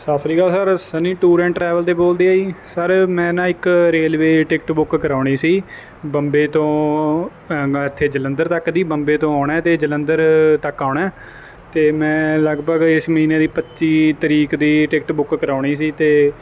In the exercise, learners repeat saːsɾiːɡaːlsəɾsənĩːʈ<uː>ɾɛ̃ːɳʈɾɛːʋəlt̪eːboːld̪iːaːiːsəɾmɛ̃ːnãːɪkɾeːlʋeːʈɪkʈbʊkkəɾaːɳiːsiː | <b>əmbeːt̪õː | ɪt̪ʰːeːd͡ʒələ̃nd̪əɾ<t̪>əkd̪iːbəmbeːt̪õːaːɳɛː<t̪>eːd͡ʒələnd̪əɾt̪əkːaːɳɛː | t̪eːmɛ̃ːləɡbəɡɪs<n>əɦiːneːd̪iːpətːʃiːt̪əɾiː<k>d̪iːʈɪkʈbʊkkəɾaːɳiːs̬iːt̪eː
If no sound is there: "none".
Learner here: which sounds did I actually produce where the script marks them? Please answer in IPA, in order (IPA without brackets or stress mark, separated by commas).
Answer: uː, b, t̪, t̪, m, k